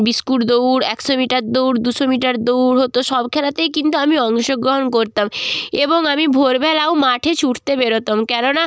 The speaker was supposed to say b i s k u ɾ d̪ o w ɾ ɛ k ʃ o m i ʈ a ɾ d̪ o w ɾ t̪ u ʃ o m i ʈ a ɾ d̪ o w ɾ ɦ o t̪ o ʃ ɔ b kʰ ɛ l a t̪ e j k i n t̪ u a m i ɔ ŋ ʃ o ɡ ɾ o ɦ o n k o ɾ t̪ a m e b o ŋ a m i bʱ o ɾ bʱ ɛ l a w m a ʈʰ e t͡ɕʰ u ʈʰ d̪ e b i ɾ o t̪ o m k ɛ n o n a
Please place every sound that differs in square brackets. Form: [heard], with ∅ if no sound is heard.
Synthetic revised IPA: b i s k u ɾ d̪ o w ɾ ɛ k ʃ o m i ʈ a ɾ d̪ o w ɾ [d̪] u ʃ o m i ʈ a ɾ d̪ o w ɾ ɦ o t̪ o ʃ ɔ b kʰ ɛ l a t̪ e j k i n t̪ u a m i ɔ ŋ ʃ o ɡ ɾ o ɦ o n k o ɾ t̪ a m e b o ŋ a m i bʱ o ɾ bʱ ɛ l a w m a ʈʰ e t͡ɕʰ u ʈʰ [t̪] e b [e] ɾ o t̪ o m k ɛ n o n a